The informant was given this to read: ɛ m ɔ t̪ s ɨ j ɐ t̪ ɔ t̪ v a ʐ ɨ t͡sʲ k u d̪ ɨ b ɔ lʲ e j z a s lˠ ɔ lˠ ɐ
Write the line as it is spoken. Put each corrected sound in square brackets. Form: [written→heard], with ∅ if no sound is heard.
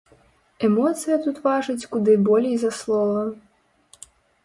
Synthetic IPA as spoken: ɛ m ɔ t̪ s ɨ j ɐ t̪ [ɔ→u] t̪ v a ʐ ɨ t͡sʲ k u d̪ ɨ b ɔ lʲ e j z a s lˠ ɔ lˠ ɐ

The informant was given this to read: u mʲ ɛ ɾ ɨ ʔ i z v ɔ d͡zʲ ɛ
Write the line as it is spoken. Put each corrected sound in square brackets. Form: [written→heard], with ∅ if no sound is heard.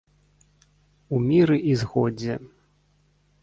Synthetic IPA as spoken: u mʲ [ɛ→i] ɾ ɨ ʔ i z [v→ɣ] ɔ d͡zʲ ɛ

